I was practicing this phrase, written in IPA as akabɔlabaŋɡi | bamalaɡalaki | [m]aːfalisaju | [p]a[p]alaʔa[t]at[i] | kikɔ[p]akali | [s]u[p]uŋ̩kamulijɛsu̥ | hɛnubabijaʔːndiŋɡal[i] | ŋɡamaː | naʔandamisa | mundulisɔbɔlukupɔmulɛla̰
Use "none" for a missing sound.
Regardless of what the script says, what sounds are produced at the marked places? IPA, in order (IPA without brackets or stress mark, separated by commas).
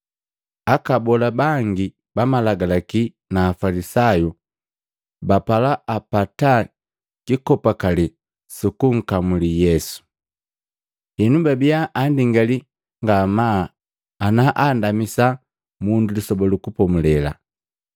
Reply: n, b, p, p, a, p, s, k, i